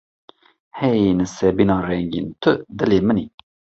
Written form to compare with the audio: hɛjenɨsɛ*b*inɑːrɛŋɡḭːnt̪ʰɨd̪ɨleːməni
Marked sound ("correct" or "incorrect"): correct